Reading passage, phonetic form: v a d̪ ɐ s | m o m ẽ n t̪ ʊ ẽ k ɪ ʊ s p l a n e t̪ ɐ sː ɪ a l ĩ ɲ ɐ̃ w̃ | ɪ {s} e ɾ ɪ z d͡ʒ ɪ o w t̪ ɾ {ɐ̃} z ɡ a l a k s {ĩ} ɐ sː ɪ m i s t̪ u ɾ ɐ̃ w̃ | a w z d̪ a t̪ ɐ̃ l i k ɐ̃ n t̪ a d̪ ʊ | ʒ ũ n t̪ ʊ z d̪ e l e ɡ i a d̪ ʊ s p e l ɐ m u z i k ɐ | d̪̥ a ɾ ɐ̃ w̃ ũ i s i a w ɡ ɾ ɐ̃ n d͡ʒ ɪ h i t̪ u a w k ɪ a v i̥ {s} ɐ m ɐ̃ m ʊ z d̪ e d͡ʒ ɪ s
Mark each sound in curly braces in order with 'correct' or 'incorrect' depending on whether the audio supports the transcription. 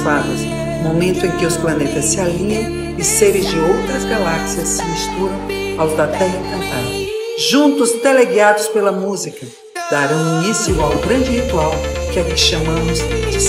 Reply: correct, incorrect: ɐ, incorrect: i, incorrect: ʃ

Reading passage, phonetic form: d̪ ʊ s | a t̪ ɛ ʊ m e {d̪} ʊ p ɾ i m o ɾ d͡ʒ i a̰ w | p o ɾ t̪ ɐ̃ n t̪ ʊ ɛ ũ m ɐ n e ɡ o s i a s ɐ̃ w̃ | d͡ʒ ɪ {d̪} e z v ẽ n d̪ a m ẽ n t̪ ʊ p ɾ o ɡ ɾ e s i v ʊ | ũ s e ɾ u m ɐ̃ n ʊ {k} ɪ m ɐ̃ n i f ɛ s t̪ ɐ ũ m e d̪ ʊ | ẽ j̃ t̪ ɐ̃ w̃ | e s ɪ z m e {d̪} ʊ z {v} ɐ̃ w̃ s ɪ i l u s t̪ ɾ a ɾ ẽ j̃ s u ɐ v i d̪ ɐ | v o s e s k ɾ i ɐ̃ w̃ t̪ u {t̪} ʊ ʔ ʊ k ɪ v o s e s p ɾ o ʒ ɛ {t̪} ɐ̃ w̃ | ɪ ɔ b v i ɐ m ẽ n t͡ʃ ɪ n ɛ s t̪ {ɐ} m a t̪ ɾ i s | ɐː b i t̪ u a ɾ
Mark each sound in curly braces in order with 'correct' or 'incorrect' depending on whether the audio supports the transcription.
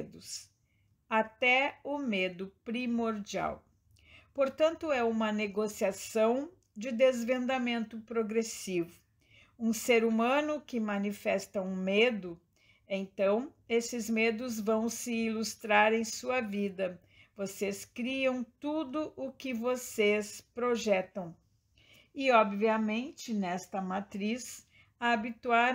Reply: correct, correct, correct, correct, correct, incorrect: d̪, correct, correct

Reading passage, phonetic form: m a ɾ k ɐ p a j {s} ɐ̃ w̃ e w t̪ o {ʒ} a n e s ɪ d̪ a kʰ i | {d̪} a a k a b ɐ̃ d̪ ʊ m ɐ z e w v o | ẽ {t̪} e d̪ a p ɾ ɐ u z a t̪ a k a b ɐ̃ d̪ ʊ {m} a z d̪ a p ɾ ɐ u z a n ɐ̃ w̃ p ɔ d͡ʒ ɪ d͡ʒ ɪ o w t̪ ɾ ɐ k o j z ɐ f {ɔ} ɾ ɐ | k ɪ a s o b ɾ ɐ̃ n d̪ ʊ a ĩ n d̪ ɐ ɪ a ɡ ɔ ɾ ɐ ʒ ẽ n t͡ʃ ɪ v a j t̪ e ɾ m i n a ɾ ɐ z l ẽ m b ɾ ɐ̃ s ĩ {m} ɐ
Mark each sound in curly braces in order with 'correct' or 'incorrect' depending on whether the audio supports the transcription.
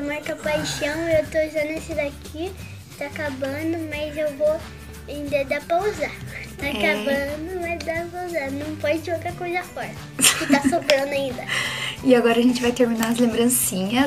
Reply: incorrect: ʃ, correct, incorrect: t̪, incorrect: d̪, correct, correct, incorrect: ɲ

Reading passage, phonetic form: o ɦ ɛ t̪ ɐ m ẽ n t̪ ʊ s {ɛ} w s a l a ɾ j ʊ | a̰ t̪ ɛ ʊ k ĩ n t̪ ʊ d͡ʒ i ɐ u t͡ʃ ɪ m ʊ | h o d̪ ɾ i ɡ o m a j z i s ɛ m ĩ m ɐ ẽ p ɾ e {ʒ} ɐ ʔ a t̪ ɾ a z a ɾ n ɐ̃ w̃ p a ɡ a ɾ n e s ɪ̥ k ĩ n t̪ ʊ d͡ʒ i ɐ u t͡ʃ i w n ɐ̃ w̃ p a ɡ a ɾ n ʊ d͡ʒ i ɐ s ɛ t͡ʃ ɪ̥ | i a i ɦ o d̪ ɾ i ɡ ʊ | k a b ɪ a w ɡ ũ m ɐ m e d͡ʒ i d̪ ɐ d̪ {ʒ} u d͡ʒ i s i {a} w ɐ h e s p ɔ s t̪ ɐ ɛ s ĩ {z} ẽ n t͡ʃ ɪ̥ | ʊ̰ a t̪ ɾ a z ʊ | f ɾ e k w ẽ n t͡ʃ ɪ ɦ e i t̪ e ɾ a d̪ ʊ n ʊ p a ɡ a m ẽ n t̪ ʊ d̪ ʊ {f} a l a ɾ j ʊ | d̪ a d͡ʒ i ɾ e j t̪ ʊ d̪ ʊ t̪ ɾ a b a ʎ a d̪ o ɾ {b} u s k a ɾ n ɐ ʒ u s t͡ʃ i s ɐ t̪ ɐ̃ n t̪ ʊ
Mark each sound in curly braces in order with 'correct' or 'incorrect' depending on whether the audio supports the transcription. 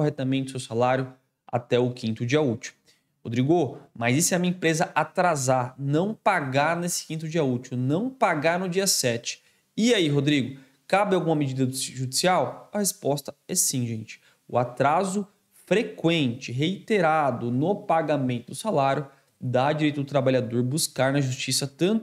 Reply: incorrect: e, incorrect: z, correct, correct, incorrect: ʒ, incorrect: s, correct

